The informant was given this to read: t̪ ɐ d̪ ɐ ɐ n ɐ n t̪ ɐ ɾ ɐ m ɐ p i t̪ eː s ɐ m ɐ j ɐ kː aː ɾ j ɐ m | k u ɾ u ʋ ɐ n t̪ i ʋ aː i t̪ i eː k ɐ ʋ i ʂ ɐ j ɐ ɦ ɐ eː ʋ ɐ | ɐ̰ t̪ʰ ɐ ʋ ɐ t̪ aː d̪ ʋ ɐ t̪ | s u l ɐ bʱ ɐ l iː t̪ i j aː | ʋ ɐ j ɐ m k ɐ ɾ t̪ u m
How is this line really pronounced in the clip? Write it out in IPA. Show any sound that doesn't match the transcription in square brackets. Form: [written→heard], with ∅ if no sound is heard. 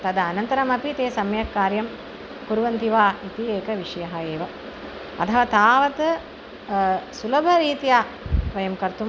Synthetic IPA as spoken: t̪ ɐ d̪ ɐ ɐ n ɐ n t̪ ɐ ɾ ɐ m ɐ p i t̪ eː s ɐ m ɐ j ɐ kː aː ɾ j ɐ m | k u ɾ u ʋ ɐ n t̪ i ʋ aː i t̪ i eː k ɐ ʋ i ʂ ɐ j ɐ ɦ ɐ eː ʋ ɐ | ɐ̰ t̪ʰ ɐ ʋ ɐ t̪ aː [d̪→∅] ʋ ɐ t̪ | s u l ɐ bʱ ɐ [l→ɾ] iː t̪ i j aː | ʋ ɐ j ɐ m k ɐ ɾ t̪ u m

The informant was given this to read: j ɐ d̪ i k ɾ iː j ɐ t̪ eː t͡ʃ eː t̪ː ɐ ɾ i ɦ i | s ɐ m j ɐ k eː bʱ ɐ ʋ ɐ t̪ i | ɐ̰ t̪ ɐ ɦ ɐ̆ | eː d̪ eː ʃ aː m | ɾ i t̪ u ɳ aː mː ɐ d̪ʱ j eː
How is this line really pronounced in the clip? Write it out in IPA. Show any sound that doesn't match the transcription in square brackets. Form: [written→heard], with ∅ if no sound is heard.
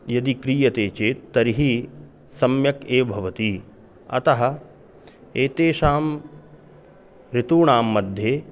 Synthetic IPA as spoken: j ɐ d̪ i k ɾ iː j ɐ t̪ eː t͡ʃ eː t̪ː ɐ ɾ i ɦ i | s ɐ m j ɐ k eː bʱ ɐ ʋ ɐ t̪ i | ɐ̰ t̪ ɐ ɦ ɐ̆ | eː [d̪→t̪] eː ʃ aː m | ɾ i t̪ [u→uː] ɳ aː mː ɐ d̪ʱ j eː

